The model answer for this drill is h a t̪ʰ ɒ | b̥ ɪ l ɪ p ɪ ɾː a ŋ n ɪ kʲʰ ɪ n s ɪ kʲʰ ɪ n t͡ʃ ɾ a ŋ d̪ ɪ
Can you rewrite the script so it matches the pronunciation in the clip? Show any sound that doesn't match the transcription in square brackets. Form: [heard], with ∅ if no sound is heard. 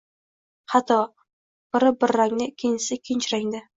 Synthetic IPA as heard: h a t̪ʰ ɒ | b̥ ɪ [ɾ] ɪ [b] ɪ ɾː a ŋ n ɪ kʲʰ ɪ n s ɪ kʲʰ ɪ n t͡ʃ ɾ a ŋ d̪ ɪ